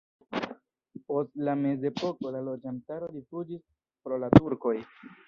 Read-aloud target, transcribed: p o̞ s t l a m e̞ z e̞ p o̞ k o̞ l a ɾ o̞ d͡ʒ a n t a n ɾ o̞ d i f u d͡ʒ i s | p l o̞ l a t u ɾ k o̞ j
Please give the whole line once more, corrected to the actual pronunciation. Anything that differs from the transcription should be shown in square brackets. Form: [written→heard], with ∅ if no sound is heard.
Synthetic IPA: p o̞ s t l a m e̞ z e̞ p o̞ k o̞ l a [ɾ→l] o̞ d͡ʒ a n t a [n→∅] ɾ o̞ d i f u d͡ʒ i s | p [l→ɾ] o̞ l a t u ɾ k o̞ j